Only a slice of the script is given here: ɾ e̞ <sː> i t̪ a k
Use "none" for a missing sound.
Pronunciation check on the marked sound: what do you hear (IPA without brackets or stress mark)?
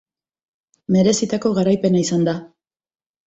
s